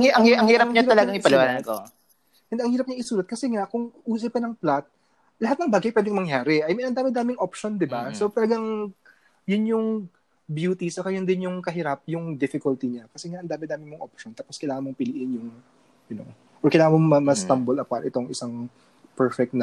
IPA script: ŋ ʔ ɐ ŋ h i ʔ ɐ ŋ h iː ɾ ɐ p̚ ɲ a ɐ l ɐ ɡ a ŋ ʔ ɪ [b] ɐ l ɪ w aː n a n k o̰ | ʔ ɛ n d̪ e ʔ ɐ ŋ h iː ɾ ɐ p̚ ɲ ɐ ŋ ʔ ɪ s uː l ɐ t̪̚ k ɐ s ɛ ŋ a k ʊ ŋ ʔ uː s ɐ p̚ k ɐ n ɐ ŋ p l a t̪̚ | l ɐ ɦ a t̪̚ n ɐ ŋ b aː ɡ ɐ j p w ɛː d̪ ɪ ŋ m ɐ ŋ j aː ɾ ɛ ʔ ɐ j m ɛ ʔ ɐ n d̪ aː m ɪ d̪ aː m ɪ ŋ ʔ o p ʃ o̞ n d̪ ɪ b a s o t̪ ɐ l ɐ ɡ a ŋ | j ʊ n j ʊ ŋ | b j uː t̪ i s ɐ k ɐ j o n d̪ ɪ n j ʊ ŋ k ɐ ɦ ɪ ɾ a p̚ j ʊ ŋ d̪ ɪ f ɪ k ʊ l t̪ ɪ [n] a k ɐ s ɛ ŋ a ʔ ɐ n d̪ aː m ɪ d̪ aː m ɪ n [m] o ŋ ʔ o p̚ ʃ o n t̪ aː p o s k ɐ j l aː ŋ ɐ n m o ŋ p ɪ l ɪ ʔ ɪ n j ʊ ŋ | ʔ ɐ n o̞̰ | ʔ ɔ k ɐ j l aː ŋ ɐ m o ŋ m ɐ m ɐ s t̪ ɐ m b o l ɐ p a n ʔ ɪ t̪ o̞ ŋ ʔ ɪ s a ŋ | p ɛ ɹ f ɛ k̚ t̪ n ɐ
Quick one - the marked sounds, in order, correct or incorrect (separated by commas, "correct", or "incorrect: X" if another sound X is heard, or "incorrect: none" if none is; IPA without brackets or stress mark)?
incorrect: p, incorrect: ɲ, correct